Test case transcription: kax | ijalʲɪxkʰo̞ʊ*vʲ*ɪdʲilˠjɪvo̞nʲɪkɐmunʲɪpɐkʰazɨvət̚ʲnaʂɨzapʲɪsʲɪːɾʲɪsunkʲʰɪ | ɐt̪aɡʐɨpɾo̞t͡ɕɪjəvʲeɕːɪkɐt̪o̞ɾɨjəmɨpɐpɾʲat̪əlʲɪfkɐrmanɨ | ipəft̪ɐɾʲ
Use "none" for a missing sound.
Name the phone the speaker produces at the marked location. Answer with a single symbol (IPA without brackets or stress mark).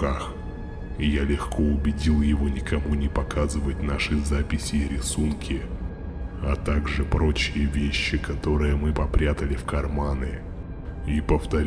bʲ